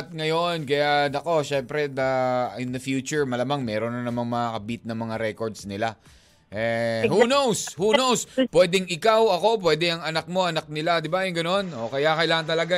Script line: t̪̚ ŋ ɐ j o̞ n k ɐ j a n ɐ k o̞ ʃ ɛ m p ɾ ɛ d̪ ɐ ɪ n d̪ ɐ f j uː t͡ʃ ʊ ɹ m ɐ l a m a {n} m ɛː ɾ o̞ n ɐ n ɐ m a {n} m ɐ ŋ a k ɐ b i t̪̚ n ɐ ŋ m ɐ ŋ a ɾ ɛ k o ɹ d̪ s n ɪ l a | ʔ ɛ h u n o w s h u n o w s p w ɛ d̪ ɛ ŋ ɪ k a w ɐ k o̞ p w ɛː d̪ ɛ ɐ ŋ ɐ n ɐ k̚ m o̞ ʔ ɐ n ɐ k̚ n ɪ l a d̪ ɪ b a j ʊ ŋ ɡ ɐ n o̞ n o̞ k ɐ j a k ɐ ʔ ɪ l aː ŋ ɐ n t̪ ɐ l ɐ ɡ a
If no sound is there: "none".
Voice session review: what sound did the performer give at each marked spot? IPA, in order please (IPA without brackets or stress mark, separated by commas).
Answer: ŋ, ŋ